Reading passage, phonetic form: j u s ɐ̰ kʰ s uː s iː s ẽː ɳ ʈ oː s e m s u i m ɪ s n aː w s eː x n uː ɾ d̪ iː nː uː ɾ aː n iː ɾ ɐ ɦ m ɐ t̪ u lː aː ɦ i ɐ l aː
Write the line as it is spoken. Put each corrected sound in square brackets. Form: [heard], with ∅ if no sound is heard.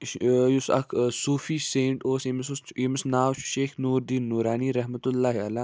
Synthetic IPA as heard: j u s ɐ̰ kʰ s uː [f] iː s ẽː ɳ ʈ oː s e m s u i m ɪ s n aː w [ʃ] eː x n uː ɾ d̪ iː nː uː ɾ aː n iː ɾ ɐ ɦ m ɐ t̪ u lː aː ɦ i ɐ l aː